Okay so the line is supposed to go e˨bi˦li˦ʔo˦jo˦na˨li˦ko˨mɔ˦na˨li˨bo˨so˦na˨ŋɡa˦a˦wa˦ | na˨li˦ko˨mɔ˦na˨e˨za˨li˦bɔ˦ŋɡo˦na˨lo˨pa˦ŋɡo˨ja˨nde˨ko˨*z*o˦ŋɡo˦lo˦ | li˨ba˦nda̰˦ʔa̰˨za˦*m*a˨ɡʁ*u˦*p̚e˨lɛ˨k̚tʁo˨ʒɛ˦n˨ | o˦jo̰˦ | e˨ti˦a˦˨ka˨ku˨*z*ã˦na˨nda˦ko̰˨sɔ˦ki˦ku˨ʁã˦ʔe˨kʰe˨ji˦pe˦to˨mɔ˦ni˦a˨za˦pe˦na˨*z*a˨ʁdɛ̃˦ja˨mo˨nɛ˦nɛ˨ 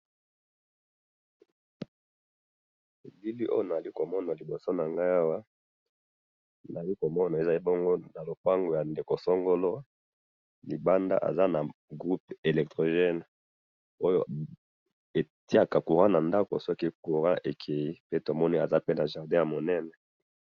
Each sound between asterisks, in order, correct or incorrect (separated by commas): incorrect, incorrect, correct, incorrect, incorrect